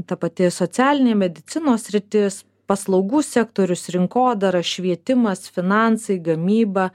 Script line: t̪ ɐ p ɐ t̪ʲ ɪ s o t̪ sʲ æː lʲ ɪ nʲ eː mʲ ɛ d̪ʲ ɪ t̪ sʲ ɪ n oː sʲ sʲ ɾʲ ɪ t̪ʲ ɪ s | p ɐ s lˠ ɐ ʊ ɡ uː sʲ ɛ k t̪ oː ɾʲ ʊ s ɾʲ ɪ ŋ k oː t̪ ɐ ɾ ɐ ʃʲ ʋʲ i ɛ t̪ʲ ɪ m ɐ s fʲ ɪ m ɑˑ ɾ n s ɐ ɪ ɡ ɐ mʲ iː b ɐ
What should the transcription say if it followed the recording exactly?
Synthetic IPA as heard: t̪ ɐ p ɐ t̪ʲ ɪ s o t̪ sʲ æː lʲ ɪ nʲ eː mʲ ɛ d̪ʲ ɪ t̪ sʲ ɪ n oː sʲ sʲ ɾʲ ɪ t̪ʲ ɪ s | p ɐ s lˠ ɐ ʊ ɡ uː sʲ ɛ k t̪ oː ɾʲ ʊ s ɾʲ ɪ ŋ k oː d̪ ɐ ɾ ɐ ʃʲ ʋʲ i ɛ t̪ʲ ɪ m ɐ s fʲ ɪ n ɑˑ n s ɐ ɪ ɡ ɐ mʲ iː b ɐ